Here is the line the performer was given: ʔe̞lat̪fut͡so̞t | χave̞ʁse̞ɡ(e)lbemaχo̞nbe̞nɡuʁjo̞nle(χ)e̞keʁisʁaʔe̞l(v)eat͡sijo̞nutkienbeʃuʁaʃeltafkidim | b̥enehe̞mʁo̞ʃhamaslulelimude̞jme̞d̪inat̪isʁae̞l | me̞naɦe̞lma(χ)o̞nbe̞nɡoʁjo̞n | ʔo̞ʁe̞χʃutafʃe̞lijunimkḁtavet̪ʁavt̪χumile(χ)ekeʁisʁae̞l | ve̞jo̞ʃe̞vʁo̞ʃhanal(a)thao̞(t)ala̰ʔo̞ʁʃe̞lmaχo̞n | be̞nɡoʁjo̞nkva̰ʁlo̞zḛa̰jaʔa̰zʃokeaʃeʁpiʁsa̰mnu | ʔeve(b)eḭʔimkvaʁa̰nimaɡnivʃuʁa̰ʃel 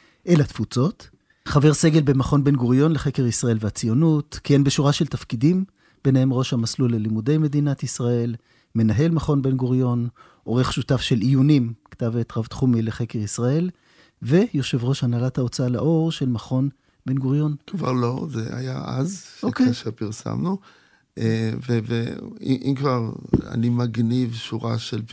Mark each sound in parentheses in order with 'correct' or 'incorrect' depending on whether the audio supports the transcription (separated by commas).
correct, correct, correct, correct, correct, correct, incorrect, incorrect